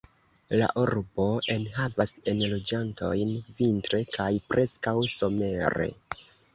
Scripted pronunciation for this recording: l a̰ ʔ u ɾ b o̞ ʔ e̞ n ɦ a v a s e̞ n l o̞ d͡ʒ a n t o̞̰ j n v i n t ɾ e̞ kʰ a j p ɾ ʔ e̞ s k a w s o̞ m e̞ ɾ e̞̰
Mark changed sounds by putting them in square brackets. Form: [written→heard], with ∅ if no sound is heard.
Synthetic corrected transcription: l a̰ ʔ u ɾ b o̞ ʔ e̞ n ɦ a v a s e̞ n l o̞ d͡ʒ a n t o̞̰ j n v i n t ɾ e̞ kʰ a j p ɾ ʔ e̞ s k a w s o̞ m e̞ ɾ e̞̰

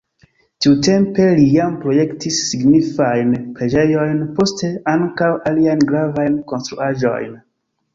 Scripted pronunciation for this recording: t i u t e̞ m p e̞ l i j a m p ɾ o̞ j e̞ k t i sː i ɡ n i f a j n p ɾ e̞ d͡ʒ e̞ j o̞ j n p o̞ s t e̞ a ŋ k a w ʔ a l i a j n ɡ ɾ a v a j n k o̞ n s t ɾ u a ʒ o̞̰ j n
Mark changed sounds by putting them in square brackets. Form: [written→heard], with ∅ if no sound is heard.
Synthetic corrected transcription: t i u t e̞ m p e̞ l i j a m p ɾ o̞ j e̞ k t i sː i ɡ n i f a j n p ɾ e̞ d͡ʒ e̞ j o̞ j n p o̞ s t e̞ a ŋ k a w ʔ a l i a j n ɡ ɾ a v a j n k o̞ n s t ɾ u a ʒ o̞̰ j n

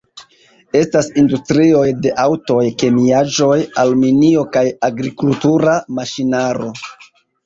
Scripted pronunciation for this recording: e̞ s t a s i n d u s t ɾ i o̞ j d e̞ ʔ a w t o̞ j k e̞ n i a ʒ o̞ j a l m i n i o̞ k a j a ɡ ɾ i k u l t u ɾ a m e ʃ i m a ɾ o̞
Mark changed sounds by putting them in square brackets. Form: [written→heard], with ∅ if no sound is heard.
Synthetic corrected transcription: e̞ s t a s i n d u s t ɾ i o̞ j d e̞ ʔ a w t o̞ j k e̞ [n→m] i a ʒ o̞ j a l m i n i o̞ k a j a ɡ ɾ i k u l t u ɾ a m [e→a] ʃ i [m→n] a ɾ o̞

